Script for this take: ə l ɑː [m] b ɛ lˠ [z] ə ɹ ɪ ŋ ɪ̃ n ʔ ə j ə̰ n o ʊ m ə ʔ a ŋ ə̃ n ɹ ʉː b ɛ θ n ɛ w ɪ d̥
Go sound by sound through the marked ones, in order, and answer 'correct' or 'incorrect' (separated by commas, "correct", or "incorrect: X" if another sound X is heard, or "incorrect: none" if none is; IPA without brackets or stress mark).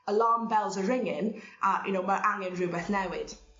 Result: correct, correct